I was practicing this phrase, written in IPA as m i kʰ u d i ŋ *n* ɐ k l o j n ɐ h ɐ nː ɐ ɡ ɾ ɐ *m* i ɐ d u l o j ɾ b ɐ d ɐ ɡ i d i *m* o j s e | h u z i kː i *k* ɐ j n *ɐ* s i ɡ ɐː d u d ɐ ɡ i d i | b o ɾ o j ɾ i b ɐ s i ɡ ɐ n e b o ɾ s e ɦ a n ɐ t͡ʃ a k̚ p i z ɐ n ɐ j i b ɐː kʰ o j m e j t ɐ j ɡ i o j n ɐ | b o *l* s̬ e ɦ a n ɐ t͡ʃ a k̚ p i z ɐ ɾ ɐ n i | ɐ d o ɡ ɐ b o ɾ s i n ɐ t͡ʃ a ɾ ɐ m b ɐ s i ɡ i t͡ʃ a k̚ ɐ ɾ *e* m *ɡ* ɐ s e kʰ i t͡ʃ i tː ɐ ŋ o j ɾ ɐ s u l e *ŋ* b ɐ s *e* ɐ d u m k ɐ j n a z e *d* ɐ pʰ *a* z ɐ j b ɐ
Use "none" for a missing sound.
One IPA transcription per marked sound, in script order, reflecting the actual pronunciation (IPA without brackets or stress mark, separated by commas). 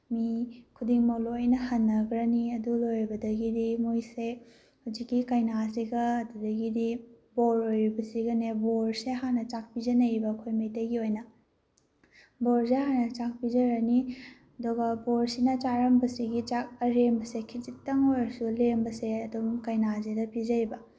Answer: m, n, m, k, a, ɾ, e, b, m, e, d, i